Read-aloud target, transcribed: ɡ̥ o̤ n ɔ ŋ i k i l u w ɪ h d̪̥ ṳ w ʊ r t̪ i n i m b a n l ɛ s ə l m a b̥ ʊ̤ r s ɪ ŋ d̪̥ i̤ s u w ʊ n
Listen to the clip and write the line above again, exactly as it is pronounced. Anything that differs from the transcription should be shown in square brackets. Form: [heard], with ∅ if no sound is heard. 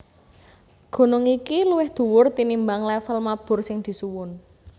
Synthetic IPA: ɡ̥ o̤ n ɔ ŋ i k i l u w ɪ h d̪̥ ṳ w ʊ r t̪ i n i m b a [ŋ] l ɛ [f] ə l m a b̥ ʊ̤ r s ɪ ŋ d̪̥ i̤ s u w ʊ n